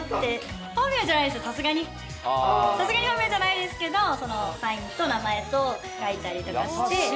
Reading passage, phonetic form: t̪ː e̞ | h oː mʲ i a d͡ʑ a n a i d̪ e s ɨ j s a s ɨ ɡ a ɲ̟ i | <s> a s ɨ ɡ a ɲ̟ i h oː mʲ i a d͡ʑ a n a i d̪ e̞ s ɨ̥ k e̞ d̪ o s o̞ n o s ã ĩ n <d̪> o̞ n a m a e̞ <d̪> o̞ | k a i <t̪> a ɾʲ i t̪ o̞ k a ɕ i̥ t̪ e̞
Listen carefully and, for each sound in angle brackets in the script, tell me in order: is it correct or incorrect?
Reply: correct, incorrect: t̪, incorrect: t̪, correct

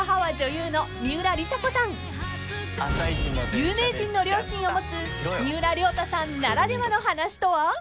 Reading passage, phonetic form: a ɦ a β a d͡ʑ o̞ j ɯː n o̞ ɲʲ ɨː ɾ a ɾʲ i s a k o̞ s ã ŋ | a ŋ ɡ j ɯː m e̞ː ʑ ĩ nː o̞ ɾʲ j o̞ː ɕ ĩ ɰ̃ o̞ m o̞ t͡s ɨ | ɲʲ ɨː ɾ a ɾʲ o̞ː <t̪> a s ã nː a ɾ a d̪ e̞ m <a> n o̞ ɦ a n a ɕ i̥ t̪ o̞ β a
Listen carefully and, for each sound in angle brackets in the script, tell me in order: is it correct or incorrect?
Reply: correct, correct

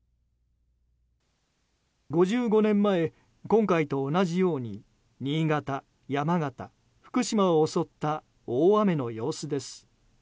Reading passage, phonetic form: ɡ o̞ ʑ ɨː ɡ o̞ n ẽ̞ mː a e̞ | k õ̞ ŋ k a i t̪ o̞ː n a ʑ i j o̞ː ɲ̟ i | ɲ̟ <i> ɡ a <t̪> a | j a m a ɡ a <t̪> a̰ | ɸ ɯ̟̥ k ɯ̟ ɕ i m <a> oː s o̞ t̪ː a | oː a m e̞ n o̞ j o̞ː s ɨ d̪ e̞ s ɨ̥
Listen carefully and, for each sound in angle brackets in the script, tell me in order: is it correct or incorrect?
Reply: incorrect: iː, correct, correct, correct

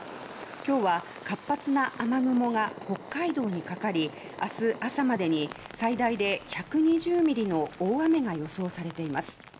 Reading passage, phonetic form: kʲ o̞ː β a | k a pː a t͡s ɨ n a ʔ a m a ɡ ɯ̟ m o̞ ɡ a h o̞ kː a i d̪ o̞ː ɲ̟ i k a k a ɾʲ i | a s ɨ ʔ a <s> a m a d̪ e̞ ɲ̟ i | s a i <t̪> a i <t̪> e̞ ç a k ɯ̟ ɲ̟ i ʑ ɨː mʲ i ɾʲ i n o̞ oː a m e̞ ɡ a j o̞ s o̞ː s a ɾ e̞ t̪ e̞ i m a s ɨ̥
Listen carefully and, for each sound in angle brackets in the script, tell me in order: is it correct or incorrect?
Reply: correct, incorrect: d̪, incorrect: d̪

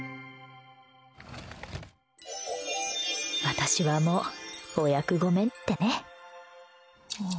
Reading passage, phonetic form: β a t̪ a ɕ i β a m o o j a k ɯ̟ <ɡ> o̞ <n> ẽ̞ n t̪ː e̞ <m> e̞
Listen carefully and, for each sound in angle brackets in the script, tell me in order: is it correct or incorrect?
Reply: correct, incorrect: m, incorrect: n

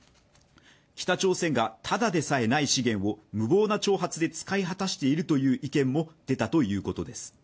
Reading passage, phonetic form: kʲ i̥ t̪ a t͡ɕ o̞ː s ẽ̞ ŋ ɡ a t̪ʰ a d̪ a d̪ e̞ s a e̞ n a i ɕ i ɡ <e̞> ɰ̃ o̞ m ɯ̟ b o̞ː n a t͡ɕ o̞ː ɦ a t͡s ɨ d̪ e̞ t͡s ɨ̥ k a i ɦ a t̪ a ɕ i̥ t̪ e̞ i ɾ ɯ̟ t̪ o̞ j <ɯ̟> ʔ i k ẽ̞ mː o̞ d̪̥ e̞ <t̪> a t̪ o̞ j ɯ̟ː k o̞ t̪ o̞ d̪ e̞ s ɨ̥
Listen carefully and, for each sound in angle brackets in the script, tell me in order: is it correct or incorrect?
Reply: incorrect: ẽ̞, incorrect: ɯ̟ː, correct

